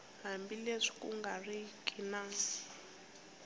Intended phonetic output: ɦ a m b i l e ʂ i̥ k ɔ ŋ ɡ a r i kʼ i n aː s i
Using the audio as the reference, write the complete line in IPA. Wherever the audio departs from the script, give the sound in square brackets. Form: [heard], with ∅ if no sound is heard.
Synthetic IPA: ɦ a m b i l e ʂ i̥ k [u] ŋ ɡ a r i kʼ i n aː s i